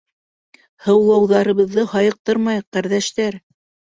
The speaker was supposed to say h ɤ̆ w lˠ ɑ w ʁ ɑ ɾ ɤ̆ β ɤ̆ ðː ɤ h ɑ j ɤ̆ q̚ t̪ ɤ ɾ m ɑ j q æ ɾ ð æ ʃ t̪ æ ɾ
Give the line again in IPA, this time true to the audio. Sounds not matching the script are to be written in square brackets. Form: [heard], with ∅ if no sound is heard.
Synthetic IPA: h ɤ̆ w lˠ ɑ w [ð] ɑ ɾ ɤ̆ β ɤ̆ ðː ɤ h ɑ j ɤ̆ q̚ t̪ ɤ ɾ m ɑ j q æ ɾ ð æ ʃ t̪ æ ɾ